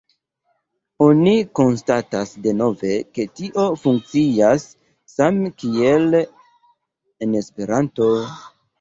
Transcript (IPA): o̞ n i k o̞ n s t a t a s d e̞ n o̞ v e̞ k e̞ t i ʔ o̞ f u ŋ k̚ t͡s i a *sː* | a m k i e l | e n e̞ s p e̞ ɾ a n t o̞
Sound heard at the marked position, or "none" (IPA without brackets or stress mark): sː